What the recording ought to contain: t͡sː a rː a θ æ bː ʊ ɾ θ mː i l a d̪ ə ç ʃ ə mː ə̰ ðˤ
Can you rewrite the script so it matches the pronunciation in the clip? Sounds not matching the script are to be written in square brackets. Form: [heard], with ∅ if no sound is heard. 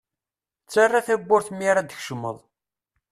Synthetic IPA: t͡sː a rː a θ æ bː ʊ ɾ θ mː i [ɾ] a d̪ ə ç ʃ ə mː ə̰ ðˤ